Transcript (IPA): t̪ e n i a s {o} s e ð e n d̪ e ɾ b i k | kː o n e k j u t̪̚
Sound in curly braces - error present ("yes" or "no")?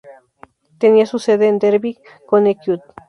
yes